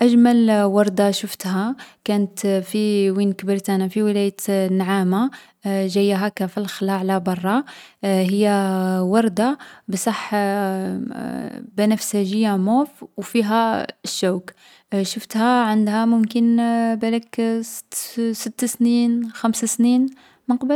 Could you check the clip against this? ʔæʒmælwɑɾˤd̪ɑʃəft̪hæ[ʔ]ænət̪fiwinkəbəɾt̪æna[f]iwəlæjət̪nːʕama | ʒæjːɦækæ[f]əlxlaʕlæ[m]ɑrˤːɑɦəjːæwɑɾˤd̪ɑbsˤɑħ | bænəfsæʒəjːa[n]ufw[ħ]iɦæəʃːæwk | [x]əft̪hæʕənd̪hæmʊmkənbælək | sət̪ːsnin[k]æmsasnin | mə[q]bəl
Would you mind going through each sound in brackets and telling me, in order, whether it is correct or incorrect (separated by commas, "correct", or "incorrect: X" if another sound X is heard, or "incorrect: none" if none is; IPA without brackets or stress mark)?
incorrect: k, correct, correct, incorrect: b, incorrect: m, incorrect: f, incorrect: ʃ, incorrect: x, correct